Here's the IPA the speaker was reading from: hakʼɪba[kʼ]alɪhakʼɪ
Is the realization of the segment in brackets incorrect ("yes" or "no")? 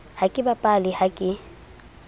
yes